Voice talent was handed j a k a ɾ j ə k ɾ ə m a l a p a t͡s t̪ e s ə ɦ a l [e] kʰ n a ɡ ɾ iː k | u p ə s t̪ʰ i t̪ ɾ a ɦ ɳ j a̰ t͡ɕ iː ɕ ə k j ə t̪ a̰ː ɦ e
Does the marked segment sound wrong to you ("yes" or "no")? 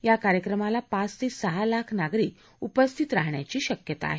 yes